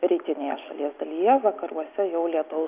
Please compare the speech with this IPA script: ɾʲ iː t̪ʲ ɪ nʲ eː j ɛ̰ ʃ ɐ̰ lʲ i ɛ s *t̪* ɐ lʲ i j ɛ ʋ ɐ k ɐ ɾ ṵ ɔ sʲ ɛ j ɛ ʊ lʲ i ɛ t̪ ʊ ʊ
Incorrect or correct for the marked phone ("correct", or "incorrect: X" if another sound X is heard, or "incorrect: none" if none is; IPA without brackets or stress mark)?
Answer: incorrect: d̪